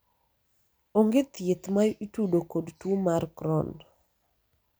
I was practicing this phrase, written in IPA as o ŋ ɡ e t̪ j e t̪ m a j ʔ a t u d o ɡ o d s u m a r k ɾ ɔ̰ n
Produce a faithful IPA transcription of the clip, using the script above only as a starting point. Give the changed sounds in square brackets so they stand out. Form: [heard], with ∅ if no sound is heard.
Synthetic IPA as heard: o ŋ ɡ e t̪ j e t̪ m a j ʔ [i] t u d o [k] o d [t] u m a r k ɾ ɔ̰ n